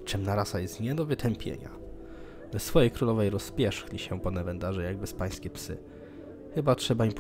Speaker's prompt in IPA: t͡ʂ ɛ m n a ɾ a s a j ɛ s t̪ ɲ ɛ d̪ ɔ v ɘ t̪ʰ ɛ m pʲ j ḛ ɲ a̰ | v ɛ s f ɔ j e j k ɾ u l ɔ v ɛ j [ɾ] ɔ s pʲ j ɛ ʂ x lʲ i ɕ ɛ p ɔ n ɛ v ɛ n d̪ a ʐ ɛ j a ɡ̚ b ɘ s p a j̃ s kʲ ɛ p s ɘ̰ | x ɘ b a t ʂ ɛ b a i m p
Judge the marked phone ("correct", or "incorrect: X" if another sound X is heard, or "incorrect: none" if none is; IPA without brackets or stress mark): correct